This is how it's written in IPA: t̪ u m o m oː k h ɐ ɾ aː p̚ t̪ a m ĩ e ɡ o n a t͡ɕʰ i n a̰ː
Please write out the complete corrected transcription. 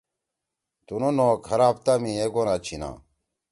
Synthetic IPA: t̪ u n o n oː k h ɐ ɾ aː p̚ t̪ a m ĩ e ɡ o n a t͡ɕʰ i n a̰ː